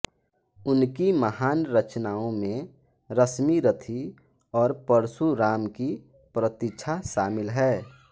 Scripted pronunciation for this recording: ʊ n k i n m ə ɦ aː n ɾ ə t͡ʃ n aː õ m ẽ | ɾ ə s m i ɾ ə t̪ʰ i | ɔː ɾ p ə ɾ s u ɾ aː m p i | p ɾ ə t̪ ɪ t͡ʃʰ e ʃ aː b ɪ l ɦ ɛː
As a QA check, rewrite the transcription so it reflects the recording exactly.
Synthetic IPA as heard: ʊ n k i m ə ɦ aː n ɾ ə t͡ʃ n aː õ m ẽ | ɾ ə s m i ɾ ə t̪ʰ i | ɔː ɾ p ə ɾ s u ɾ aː m k i | p ɾ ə t̪ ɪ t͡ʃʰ a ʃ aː m ɪ l ɦ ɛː